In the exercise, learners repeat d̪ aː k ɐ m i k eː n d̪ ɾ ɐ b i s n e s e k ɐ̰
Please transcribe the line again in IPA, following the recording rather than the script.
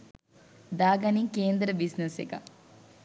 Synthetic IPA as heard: d̪ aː ɡ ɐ n i k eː n d̪ ɾ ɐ b i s n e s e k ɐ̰